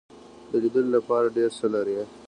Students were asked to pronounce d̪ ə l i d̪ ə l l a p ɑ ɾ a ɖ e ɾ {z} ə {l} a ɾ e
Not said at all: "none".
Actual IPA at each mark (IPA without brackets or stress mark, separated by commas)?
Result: s, l